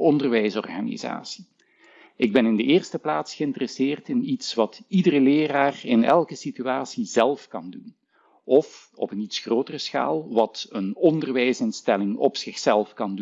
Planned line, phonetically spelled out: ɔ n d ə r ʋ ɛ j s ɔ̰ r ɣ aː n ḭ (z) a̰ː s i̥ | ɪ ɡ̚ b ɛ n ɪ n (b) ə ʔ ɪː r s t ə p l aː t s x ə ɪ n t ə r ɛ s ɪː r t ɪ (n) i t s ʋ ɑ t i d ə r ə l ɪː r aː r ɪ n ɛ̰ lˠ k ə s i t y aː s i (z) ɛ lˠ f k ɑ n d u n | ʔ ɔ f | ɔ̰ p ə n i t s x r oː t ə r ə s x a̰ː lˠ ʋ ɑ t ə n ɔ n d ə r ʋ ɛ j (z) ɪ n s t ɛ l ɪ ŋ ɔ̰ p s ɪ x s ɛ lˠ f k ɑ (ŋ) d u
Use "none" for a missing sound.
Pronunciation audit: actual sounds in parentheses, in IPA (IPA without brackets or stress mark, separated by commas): z, d, n, z, s, n